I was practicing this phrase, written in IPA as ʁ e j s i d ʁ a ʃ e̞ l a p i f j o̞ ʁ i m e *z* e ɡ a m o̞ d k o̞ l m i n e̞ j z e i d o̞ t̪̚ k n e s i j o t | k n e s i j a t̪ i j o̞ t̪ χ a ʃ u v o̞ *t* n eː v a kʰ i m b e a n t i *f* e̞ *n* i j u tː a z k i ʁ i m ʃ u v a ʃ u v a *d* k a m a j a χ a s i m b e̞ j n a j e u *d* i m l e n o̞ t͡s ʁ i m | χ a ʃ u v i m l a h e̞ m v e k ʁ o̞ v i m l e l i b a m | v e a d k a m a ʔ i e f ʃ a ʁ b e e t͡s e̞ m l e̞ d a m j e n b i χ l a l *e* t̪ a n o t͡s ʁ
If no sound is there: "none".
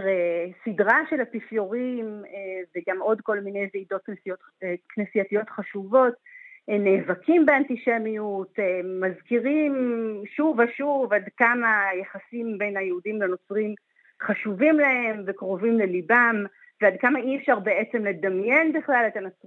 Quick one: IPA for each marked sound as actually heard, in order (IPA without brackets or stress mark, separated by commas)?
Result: v, t, ʃ, m, d, d, e